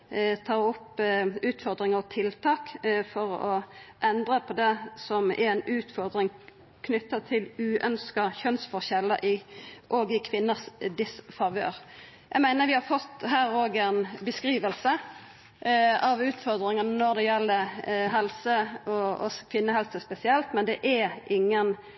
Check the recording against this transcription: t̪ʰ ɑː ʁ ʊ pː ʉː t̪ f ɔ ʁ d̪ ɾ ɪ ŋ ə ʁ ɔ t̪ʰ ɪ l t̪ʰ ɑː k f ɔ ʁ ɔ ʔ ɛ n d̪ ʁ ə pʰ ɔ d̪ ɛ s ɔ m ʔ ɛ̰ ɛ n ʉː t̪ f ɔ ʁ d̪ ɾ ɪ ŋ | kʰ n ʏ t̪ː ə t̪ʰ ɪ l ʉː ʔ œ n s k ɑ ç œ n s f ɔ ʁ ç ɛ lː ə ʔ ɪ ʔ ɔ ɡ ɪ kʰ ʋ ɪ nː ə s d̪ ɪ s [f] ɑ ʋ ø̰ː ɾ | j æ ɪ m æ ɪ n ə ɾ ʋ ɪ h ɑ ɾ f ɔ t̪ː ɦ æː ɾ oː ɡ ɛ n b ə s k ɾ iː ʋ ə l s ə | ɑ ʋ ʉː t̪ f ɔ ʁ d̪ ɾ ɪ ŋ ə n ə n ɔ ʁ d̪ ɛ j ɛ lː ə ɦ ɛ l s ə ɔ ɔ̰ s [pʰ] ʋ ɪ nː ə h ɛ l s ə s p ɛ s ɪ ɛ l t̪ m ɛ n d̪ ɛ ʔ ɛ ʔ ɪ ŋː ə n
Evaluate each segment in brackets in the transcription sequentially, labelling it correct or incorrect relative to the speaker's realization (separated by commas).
correct, incorrect